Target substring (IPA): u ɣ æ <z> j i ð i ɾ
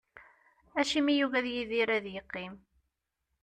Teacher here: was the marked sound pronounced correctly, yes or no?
no